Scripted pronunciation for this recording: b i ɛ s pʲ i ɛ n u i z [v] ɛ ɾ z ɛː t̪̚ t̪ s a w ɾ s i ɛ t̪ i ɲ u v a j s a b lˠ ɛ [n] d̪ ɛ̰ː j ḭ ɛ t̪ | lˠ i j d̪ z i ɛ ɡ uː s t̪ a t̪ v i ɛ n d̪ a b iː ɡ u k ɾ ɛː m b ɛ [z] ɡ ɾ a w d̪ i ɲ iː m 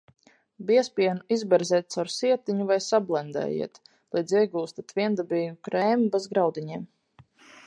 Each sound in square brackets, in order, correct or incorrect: incorrect: b, correct, correct

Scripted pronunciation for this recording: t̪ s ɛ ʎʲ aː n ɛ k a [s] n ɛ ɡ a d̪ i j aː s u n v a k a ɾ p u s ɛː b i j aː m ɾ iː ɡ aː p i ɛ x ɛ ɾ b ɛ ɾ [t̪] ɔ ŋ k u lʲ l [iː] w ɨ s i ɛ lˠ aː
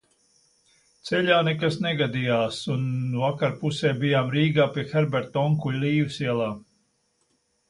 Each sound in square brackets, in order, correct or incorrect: correct, correct, correct

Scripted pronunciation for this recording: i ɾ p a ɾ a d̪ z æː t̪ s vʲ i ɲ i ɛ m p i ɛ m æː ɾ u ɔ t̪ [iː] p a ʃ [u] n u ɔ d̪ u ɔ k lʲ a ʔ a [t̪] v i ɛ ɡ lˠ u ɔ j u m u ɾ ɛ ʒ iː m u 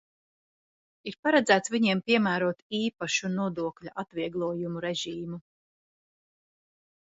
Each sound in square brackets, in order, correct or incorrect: correct, correct, correct

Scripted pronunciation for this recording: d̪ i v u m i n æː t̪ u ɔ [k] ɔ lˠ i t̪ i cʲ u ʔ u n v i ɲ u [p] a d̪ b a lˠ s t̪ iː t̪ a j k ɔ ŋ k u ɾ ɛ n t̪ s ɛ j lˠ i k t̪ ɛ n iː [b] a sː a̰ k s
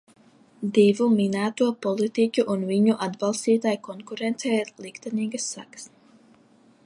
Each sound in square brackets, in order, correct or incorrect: incorrect: p, incorrect: ʔ, incorrect: ɡ

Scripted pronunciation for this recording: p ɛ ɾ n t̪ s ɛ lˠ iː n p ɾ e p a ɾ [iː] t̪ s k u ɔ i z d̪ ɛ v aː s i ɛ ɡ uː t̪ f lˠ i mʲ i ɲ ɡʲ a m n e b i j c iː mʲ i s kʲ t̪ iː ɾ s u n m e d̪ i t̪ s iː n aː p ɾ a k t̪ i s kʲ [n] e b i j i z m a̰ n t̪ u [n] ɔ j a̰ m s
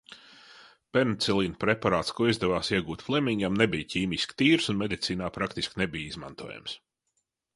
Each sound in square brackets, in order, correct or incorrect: incorrect: aː, correct, incorrect: none

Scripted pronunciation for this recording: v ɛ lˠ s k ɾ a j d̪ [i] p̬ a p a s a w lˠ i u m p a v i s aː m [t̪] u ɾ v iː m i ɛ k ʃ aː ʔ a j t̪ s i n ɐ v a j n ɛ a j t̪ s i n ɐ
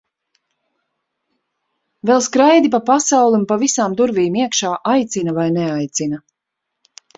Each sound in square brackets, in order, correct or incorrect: correct, incorrect: d̪

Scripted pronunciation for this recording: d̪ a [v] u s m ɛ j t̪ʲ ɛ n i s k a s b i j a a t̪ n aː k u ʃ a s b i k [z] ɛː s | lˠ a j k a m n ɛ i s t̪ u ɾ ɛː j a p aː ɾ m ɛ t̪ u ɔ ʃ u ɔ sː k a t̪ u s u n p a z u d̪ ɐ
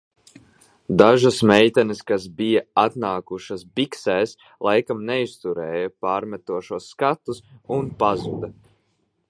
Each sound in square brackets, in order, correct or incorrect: incorrect: ʒ, incorrect: s

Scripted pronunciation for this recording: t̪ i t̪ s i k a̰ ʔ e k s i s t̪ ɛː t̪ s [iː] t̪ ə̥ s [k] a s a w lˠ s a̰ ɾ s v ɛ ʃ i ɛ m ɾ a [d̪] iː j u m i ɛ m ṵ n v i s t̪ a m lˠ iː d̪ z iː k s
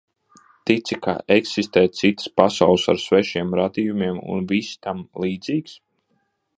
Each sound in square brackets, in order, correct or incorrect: incorrect: i, incorrect: p, correct

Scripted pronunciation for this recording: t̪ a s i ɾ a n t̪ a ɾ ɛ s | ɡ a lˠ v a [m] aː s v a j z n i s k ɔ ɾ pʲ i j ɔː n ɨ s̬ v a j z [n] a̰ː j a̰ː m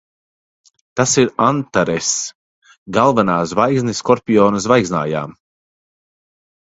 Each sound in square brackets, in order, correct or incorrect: incorrect: n, correct

